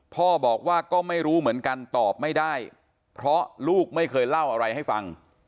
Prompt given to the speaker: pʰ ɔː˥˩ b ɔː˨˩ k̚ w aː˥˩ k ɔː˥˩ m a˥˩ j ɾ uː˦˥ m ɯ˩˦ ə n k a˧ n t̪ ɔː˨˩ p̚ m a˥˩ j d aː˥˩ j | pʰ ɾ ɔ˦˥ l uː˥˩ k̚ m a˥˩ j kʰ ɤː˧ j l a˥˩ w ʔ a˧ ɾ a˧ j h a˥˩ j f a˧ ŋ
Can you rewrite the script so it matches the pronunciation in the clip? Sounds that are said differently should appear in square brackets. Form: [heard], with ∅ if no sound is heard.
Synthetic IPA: pʰ ɔː˥˩ b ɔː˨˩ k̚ w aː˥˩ k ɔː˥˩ m a˥˩ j ɾ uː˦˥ m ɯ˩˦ ə n k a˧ n t̪ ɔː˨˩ p̚ m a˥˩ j d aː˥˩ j | pʰ ɾ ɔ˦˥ l uː˥˩ k̚ m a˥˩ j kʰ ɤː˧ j l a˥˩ w ʔ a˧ ɾ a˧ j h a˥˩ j f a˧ ŋ